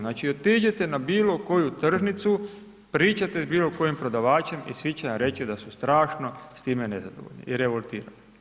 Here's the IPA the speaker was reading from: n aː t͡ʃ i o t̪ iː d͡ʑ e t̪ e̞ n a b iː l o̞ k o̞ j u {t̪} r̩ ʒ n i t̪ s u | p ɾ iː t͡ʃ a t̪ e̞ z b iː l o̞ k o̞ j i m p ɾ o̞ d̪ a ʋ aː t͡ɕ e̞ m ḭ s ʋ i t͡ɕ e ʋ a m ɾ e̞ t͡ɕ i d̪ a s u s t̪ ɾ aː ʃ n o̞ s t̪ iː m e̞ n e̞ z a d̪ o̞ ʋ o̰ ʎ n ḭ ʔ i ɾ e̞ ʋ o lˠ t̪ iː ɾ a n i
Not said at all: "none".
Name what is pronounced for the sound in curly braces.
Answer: t̪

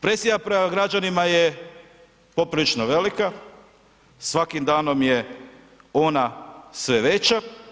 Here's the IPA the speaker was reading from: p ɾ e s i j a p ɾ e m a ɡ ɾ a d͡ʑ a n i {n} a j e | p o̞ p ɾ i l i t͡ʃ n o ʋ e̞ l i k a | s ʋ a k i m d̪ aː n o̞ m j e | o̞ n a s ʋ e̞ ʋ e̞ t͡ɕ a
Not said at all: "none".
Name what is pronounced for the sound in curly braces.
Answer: m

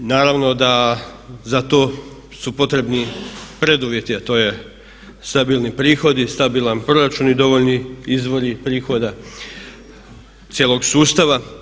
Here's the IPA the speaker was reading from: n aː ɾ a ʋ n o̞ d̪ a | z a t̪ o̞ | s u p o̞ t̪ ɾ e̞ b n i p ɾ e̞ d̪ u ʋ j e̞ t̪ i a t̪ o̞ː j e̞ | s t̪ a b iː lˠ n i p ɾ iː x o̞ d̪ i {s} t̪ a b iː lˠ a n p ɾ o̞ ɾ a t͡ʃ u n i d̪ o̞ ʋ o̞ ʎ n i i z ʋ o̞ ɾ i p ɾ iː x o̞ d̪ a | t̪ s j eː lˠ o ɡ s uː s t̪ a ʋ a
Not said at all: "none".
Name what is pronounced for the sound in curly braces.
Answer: s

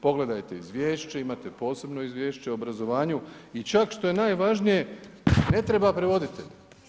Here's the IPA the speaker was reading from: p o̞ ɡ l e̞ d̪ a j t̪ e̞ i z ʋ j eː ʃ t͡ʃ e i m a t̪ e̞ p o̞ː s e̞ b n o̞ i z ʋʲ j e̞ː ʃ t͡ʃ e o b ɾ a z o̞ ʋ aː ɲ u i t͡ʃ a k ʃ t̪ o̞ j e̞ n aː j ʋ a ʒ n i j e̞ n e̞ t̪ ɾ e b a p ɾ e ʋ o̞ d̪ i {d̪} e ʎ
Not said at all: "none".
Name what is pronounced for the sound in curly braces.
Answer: t̪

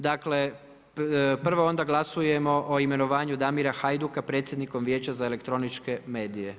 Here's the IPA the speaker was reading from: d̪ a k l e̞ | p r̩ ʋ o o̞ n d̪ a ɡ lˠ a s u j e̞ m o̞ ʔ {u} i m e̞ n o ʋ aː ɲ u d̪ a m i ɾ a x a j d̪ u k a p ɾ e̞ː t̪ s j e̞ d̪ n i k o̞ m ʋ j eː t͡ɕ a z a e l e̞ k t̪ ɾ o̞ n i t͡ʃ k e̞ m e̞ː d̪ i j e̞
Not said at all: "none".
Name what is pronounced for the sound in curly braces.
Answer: o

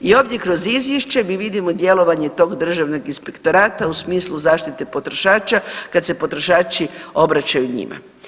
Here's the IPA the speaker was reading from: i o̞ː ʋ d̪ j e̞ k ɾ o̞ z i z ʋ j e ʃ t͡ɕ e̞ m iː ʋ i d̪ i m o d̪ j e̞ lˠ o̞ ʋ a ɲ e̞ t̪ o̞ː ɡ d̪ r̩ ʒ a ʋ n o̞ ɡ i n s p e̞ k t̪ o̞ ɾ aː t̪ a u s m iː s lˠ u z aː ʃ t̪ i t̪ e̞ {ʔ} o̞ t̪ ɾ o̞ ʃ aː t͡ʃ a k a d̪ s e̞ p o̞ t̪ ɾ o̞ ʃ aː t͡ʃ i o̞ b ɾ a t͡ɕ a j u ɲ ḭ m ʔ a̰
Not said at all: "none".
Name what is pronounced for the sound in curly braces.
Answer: p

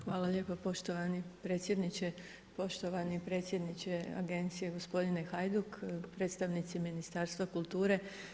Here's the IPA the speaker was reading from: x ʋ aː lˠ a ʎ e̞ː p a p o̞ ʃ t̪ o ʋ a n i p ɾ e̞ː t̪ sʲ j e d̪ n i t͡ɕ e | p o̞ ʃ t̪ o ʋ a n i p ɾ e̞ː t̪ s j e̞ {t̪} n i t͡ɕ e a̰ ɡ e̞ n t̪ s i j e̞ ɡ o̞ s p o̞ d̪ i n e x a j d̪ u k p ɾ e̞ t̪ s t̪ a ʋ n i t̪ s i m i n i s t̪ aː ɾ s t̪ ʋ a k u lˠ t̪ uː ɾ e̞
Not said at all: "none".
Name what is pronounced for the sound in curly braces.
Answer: d̪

